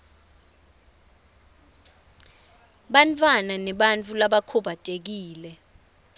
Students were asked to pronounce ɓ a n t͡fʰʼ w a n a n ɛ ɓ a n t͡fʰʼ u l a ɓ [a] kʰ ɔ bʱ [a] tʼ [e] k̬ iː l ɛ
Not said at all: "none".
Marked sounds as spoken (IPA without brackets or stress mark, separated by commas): a, a, e